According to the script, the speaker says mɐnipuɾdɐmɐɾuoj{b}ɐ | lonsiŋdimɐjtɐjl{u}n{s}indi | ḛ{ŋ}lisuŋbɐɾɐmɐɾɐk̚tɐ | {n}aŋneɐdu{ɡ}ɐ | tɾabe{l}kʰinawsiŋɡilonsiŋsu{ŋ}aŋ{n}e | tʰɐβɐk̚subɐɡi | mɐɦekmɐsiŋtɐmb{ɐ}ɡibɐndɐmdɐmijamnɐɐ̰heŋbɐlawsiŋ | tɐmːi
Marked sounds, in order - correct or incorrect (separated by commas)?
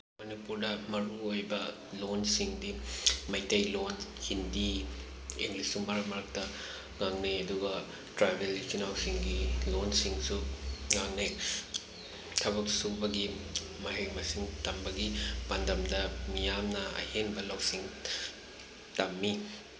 correct, incorrect, incorrect, correct, incorrect, correct, correct, correct, correct, correct